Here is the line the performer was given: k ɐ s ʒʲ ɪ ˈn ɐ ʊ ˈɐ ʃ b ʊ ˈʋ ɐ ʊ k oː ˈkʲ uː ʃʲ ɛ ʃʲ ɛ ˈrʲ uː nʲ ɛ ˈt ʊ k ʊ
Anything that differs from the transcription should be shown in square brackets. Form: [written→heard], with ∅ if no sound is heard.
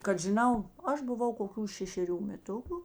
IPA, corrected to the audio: k ɐ [s→t] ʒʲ ɪ ˈn ɐ ʊ ˈɐ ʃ b ʊ ˈʋ ɐ ʊ k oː ˈkʲ uː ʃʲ ɛ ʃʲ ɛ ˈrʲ uː [nʲ→mʲ] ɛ ˈt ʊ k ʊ